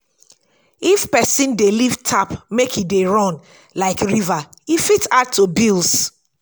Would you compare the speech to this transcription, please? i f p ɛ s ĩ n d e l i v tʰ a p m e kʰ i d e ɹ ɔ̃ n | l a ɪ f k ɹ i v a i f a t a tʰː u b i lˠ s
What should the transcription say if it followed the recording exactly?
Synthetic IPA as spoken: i f p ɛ s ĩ n d e l i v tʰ a p m e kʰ i d e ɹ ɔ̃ n | l a ɪ k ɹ i v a i f i t a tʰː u b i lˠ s